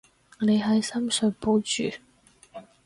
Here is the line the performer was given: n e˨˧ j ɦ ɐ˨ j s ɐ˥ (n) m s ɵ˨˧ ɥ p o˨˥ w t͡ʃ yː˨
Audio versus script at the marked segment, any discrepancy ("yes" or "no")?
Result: yes